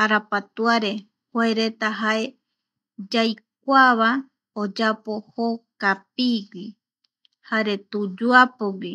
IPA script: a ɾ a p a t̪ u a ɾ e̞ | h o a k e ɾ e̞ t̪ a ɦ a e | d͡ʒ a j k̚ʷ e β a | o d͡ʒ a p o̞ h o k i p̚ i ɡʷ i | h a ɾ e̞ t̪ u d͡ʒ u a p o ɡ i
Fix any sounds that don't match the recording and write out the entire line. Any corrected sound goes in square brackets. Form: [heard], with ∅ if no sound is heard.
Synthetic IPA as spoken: a ɾ a p a t̪ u a ɾ e̞ | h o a [∅] e ɾ e̞ t̪ a ɦ a e | d͡ʒ a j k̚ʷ [a] β a | o d͡ʒ a p o̞ h o k [a] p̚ i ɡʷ i | h a ɾ e̞ t̪ u d͡ʒ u a p o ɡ i